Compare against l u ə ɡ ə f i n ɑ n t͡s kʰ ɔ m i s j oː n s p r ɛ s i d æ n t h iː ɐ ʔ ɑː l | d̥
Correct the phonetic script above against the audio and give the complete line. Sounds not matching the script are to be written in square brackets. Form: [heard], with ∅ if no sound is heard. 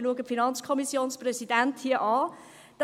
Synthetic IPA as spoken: l u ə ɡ ə f i n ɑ n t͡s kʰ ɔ m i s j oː n s p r ɛ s i d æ n t h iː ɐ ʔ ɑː [∅] | d̥